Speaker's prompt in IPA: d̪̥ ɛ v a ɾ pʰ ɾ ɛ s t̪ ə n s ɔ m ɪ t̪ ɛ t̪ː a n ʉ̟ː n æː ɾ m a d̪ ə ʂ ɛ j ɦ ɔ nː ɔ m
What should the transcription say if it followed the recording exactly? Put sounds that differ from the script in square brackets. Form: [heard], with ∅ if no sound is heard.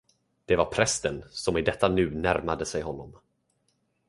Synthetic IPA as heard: d̪̥ ɛ v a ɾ pʰ ɾ ɛ s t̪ ə n s ɔ m ɪ [d̪] ɛ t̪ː a n ʉ̟ː n [æ] ɾ m a d̪ ə [s] ɛ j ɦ ɔ nː ɔ m